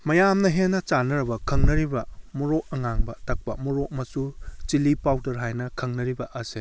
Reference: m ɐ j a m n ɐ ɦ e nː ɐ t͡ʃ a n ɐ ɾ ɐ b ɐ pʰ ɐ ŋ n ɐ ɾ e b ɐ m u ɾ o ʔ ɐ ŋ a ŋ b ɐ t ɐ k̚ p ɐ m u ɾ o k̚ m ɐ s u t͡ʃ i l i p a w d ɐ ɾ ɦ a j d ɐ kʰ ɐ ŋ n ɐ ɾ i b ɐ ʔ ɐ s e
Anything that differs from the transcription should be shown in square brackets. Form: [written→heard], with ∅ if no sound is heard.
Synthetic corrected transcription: m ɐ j a m n ɐ ɦ e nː ɐ t͡ʃ a n ɐ ɾ ɐ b ɐ [pʰ→kʰ] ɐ ŋ n ɐ ɾ [e→i] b ɐ m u ɾ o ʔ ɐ ŋ a ŋ b ɐ t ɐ k̚ p ɐ m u ɾ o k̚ m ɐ s u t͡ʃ i l i p a w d ɐ ɾ ɦ a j [d→n] ɐ kʰ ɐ ŋ n ɐ ɾ i b ɐ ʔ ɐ s e